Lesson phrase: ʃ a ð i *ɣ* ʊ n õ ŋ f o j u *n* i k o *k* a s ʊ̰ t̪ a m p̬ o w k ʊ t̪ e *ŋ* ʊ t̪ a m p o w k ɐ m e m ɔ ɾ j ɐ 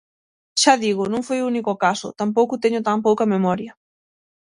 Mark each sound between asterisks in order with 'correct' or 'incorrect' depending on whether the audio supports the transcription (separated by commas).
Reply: correct, correct, correct, incorrect